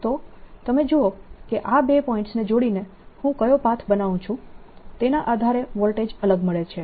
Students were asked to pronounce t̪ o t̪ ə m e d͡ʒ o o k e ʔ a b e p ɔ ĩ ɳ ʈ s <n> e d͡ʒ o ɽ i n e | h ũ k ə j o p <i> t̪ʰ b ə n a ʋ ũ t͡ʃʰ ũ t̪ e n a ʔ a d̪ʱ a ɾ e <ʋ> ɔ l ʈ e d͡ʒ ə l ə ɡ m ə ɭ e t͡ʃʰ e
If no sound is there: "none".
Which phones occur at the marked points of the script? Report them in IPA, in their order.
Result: n, a, ʋ

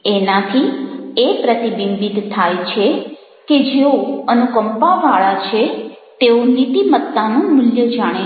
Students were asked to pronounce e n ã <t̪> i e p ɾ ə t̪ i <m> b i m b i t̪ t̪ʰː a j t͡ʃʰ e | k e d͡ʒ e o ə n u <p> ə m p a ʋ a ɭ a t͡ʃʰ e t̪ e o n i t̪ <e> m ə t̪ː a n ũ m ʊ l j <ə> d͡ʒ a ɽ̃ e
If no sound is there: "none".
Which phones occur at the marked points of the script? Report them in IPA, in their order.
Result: t̪ʰ, none, k, i, ə

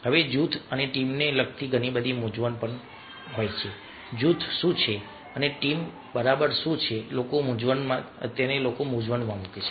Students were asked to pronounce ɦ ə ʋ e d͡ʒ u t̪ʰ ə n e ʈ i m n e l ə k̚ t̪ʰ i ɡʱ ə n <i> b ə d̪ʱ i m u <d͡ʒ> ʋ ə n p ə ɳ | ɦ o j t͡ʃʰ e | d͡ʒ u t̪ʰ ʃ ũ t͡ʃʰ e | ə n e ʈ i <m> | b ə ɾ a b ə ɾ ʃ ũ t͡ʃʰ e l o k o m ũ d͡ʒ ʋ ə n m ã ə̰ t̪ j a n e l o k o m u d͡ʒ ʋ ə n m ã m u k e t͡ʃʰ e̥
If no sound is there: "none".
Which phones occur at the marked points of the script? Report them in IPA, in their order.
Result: i, d͡ʒ, m

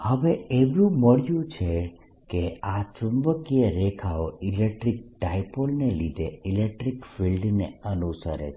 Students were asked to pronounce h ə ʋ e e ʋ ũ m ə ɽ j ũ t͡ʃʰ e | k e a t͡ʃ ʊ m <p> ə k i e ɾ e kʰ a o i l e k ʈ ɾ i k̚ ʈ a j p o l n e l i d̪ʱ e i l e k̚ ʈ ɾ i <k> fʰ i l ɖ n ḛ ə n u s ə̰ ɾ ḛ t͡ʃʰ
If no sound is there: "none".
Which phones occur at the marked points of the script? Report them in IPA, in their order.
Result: b, k

